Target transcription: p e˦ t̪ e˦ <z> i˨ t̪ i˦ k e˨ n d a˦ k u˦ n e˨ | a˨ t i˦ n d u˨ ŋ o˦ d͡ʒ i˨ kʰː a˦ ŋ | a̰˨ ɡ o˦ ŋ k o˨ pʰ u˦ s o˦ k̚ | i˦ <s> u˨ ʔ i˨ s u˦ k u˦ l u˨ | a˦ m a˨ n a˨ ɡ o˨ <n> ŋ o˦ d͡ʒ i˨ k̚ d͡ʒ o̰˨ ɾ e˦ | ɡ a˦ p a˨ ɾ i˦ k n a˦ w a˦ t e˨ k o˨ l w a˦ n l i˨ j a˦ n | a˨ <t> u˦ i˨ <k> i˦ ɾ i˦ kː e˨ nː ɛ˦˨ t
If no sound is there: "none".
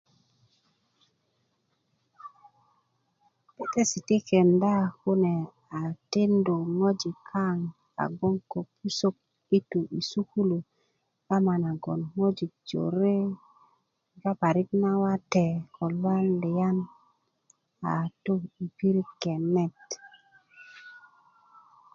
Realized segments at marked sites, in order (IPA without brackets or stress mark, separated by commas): s, t, n, t, p